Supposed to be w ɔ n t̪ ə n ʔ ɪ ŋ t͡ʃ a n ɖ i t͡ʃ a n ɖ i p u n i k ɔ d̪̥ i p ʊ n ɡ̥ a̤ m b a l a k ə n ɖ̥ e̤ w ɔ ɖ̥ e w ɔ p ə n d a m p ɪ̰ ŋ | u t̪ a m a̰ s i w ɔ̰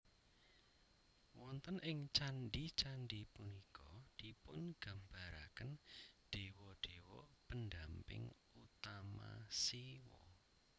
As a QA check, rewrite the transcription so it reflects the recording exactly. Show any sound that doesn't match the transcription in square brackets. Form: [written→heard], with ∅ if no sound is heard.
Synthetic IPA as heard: w ɔ n t̪ ə n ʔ ɪ ŋ t͡ʃ a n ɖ i t͡ʃ a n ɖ i p u n i k ɔ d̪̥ i p ʊ n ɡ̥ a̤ m b a [l→ɾ] a k ə n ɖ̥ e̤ w ɔ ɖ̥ e w ɔ p ə n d a m p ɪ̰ ŋ | u t̪ a m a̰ s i w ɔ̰